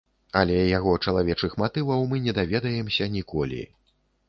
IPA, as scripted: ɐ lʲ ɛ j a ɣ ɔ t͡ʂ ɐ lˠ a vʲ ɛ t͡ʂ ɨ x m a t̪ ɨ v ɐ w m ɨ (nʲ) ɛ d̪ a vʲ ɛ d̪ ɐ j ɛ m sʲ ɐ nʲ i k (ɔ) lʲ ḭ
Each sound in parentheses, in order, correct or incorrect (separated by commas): correct, correct